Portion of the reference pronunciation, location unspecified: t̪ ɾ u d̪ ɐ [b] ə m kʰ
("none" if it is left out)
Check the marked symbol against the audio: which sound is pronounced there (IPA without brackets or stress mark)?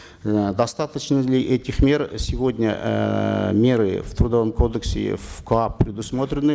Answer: v